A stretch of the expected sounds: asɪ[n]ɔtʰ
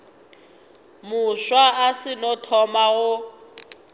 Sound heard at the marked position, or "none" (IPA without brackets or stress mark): n